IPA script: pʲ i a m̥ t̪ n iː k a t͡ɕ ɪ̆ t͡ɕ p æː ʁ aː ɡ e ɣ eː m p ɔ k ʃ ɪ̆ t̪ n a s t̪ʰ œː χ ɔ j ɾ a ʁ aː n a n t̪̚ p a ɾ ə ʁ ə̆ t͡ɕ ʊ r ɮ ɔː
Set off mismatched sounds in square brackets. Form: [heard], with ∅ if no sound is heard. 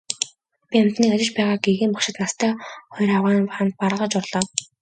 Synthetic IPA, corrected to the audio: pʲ i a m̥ t̪ n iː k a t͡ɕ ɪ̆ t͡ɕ p æː ʁ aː ɡ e ɣ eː m p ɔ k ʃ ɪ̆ t̪ n a s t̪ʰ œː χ ɔ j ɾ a ʁ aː n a n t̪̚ p a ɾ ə ʁ ə̆ t͡ɕ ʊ r ɮ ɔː